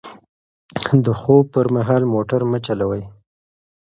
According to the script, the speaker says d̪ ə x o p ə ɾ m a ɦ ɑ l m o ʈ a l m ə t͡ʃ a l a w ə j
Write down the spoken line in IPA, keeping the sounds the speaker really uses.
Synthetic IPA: d̪ ə x o p ə ɾ m a ɦ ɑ l m o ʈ a ɾ m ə t͡ʃ a l a w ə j